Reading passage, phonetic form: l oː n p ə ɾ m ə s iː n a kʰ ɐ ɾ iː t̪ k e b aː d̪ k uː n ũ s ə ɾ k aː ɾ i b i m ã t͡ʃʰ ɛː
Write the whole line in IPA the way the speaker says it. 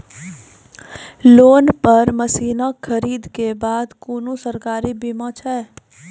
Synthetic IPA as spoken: l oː n p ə ɾ m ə s iː n a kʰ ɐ ɾ iː d̪ k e b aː d̪ k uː n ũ s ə ɾ k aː ɾ i b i m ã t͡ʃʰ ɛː